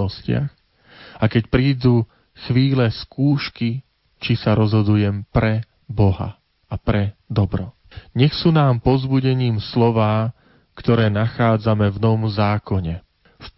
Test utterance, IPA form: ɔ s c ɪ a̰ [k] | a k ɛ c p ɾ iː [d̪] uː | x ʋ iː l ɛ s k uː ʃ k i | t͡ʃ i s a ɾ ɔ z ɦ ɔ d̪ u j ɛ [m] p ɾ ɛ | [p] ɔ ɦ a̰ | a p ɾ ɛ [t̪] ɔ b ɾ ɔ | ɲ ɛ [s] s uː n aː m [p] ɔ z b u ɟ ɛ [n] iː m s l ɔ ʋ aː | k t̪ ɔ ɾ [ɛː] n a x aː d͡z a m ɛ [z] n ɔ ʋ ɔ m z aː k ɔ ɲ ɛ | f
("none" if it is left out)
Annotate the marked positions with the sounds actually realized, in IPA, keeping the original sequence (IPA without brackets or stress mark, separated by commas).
x, d̪, m, b, d̪, x, p, ɲ, ɛː, v